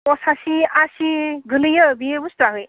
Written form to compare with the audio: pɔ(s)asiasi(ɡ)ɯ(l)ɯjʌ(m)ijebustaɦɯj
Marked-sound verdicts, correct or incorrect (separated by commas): correct, correct, correct, incorrect